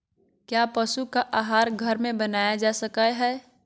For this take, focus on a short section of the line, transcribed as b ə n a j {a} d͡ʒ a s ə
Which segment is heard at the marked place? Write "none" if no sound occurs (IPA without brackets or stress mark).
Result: a